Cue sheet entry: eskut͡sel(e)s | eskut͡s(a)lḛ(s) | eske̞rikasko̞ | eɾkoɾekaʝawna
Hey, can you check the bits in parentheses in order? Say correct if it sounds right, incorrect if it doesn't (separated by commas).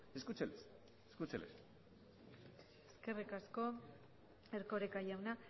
correct, incorrect, correct